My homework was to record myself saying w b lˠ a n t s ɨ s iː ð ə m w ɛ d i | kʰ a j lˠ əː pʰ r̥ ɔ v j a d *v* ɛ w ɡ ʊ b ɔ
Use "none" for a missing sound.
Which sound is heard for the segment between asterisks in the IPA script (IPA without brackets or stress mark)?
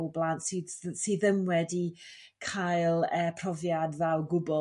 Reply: v